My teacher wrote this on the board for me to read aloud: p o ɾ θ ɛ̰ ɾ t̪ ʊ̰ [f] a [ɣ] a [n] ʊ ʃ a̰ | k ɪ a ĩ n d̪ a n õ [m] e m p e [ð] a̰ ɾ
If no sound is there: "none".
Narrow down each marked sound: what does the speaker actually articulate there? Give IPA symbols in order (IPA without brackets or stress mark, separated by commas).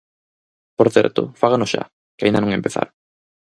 f, ɣ, n, ŋ, θ